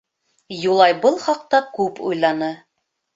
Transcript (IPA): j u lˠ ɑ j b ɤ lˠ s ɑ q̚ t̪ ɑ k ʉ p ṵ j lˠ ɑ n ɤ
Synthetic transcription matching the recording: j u lˠ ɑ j b ɤ lˠ χ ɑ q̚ t̪ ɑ k ʉ p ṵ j lˠ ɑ n ɤ